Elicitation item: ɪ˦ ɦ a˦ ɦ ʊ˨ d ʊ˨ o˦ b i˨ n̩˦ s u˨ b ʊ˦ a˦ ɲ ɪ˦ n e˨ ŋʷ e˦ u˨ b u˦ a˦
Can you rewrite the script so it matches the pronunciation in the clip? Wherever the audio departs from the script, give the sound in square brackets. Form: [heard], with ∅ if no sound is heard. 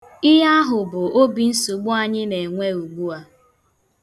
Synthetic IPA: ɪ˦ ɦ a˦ ɦ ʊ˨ [b] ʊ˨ o˦ b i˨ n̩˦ s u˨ [ɡ͡b] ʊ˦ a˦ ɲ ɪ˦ n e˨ ŋʷ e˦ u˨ [ɡ͡b] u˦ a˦